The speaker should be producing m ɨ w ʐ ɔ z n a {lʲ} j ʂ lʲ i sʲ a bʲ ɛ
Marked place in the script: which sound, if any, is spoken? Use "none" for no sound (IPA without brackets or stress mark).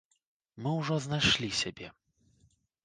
none